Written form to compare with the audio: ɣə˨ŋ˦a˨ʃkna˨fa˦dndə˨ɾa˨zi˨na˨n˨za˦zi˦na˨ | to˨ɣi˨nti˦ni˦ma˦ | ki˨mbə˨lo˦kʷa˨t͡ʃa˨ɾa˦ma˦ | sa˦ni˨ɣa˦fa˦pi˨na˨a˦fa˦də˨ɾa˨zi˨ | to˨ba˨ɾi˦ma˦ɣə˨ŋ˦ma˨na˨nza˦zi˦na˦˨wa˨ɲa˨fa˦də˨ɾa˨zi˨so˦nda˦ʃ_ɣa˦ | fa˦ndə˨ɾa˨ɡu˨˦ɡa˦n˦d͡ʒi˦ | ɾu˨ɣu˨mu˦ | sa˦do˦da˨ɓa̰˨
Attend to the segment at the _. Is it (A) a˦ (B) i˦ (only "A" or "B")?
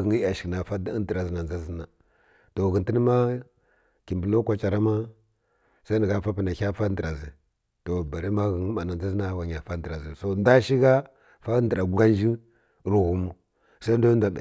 B